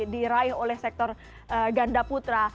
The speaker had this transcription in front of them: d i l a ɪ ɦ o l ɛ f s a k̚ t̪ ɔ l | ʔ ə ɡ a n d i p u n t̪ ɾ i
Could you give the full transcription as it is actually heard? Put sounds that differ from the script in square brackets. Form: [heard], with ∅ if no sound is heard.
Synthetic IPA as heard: d i [ɾ] a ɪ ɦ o l ɛ [h] s [ɛ] k̚ t̪ ɔ [r] | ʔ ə ɡ a n d [a] p u [∅] t̪ ɾ [a]

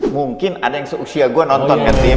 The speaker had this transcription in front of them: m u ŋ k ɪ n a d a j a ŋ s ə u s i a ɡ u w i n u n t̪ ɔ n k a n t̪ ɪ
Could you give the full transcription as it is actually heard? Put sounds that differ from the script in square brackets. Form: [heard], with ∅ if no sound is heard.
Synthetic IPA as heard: m u ŋ k ɪ n a d a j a ŋ s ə u s i a ɡ u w [a] n [ɔ] n t̪ ɔ n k a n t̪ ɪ

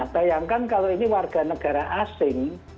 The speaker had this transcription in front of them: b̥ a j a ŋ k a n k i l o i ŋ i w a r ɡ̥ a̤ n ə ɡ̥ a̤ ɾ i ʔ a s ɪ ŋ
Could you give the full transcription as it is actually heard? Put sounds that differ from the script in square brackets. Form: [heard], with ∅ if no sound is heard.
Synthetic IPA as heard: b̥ a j a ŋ k a n k [a] l o i [n] i w a r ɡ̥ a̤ n ə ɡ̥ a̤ ɾ [a] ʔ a s ɪ ŋ

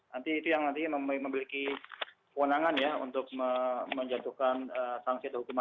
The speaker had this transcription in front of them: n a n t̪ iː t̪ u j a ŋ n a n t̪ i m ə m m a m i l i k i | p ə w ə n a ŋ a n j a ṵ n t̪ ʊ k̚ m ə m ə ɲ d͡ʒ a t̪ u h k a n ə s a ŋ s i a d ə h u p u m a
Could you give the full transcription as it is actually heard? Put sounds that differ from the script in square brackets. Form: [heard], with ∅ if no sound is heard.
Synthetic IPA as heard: n a n t̪ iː t̪ u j a ŋ n a n t̪ i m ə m m [ə] m i l i k i | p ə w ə n a ŋ a n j a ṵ n t̪ ʊ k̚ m ə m ə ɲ d͡ʒ a t̪ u h k a n ə s a ŋ s i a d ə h u [k] u m a

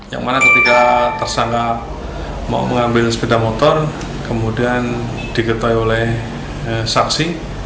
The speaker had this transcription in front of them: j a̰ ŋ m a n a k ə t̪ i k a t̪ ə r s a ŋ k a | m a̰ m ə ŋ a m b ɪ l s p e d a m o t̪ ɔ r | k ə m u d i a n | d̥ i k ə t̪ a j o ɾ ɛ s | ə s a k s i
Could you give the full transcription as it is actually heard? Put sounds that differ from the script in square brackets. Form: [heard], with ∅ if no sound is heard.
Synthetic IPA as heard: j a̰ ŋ m a n a k ə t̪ i k a t̪ ə r s a ŋ k a | m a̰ m ə ŋ a m b ɪ l s p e d a m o t̪ ɔ r | k ə m u d i a n | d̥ i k ə t̪ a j o [l] ɛ [h] | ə s a k s i

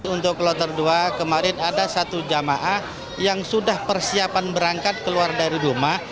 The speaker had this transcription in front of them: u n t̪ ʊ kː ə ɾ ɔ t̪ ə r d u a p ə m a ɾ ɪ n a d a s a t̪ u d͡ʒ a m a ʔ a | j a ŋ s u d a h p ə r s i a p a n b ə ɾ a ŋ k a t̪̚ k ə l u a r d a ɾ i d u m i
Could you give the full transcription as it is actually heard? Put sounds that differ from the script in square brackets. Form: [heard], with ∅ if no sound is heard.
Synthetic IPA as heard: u n t̪ ʊ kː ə [l] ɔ t̪ ə r d u a [k] ə m a ɾ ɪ n a d a s a t̪ u d͡ʒ a m a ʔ a | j a ŋ s u d a h p ə r s i a p a n b ə ɾ a ŋ k a t̪̚ k ə l u a r d a ɾ i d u m [a]

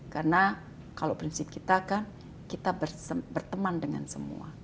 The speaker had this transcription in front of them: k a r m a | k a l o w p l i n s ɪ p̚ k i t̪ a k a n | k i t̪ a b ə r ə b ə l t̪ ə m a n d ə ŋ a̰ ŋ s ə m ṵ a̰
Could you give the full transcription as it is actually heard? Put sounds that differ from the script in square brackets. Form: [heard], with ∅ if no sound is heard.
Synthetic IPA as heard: k a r [n] a | k a l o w p [ɾ] i n s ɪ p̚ k i t̪ a k a n | k i t̪ a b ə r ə b ə [r] t̪ ə m a n d ə ŋ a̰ [n] s ə m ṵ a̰

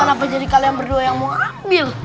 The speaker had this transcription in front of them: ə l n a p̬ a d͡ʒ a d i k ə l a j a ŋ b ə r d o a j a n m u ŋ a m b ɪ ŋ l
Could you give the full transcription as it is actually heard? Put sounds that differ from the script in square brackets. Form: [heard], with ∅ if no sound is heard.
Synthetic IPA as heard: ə [∅] n a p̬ a d͡ʒ a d i k [a] l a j a ŋ b ə r d [u] a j a [ŋ] m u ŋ a m b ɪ [∅] l

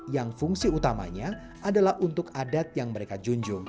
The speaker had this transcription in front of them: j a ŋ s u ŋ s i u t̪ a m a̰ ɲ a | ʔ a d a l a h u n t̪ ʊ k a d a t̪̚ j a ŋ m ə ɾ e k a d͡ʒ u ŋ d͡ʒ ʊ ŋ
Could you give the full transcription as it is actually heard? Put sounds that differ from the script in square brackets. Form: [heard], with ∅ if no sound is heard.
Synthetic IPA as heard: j a ŋ [f] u ŋ s i u t̪ a m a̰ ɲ a | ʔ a d a l a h u n t̪ ʊ k a d a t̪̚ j a ŋ m ə ɾ e k a d͡ʒ u [ɲ] d͡ʒ ʊ ŋ

